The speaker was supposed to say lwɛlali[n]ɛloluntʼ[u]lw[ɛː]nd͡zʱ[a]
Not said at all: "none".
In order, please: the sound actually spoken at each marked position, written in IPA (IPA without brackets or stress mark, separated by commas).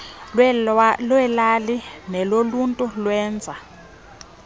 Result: n, u, ɛː, a